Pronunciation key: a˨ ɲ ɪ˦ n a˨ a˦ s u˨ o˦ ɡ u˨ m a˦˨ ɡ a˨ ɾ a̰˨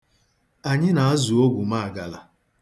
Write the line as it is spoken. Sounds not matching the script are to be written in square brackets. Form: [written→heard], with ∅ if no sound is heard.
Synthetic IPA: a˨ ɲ ɪ˦ n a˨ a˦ [s→z] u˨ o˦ ɡ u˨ m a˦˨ ɡ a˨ [ɾ→l] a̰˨